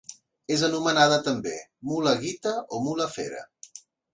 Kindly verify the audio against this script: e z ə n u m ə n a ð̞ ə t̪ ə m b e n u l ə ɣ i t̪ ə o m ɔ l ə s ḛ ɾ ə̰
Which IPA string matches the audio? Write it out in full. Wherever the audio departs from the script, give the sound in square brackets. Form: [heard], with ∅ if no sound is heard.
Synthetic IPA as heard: e z ə n u m ə n a ð̞ ə t̪ ə m b e [m] u l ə ɣ i t̪ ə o m [u] l ə [f] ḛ ɾ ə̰